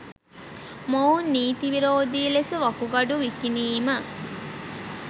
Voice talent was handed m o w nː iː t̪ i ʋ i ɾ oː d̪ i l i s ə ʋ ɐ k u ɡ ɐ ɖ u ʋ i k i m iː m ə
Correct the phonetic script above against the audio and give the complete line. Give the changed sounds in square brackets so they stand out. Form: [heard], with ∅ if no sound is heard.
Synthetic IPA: m o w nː iː t̪ i ʋ i ɾ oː d̪ i l [e] s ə ʋ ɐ k u ɡ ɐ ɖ u ʋ i k i [n] iː m ə